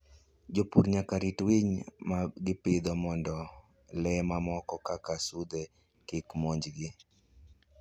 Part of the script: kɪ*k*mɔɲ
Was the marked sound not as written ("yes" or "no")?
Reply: no